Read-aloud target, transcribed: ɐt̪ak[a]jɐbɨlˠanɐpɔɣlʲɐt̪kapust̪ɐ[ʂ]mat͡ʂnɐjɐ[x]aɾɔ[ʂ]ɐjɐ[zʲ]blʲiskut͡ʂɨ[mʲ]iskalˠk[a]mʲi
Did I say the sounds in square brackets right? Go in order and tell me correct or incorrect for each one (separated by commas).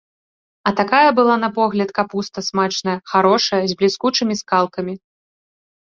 correct, incorrect, correct, correct, correct, correct, incorrect